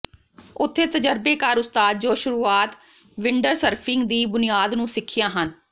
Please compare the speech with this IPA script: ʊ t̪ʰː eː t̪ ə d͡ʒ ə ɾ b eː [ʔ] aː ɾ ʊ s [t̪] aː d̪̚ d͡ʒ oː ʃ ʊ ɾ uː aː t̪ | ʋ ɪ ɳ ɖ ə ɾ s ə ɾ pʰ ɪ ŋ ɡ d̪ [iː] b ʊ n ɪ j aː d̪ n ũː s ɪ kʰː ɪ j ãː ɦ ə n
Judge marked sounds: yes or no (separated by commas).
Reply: no, yes, yes